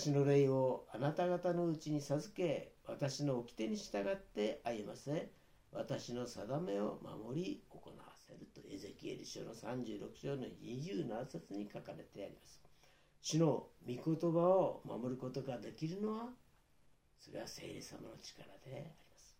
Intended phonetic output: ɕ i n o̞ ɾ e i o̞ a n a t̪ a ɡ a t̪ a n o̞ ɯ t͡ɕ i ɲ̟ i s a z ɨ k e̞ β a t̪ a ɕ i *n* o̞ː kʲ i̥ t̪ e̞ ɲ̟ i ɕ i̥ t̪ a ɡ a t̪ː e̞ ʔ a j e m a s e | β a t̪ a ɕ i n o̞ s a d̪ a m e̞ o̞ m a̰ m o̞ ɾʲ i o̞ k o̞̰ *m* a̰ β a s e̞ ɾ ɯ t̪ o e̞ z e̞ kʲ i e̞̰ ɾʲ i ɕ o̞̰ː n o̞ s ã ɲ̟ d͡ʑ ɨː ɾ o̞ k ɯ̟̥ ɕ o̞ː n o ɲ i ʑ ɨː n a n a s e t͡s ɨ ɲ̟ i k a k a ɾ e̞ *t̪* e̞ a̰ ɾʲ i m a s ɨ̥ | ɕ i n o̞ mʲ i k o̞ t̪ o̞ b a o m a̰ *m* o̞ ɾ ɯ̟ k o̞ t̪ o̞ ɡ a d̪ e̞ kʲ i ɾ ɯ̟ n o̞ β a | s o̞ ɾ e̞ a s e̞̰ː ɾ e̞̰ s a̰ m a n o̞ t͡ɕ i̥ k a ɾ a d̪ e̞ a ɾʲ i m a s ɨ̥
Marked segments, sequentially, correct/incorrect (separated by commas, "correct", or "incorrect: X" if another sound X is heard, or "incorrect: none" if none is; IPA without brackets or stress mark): correct, incorrect: n, correct, correct